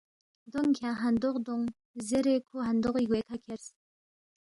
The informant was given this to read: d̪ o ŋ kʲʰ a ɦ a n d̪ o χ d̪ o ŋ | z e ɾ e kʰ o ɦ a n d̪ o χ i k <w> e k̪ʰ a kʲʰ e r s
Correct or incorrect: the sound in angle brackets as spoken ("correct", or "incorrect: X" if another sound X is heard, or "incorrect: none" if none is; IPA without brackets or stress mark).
correct